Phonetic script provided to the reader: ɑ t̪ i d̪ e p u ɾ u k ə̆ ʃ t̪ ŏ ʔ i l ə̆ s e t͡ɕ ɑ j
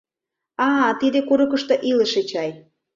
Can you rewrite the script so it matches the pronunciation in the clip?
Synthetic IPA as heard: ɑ t̪ i d̪ e k u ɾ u k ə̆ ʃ t̪ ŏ ʔ i l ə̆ ʃ e t͡ɕ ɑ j